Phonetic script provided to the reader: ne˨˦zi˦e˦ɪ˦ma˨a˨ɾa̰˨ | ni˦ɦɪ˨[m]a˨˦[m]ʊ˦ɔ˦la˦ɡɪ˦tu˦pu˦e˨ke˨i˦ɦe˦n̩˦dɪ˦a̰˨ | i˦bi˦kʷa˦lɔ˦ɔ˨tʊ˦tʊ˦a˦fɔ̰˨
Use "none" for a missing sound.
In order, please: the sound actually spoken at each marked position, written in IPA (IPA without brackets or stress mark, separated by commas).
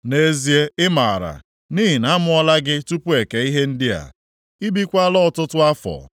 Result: n, m